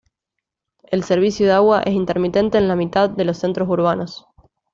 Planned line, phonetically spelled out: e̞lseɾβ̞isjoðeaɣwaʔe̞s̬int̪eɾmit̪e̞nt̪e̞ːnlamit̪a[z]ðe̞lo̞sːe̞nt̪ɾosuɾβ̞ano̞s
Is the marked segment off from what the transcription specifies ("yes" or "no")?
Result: yes